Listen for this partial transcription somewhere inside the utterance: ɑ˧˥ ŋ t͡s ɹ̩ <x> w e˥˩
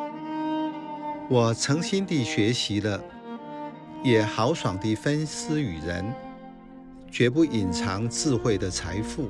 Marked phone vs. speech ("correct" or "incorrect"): correct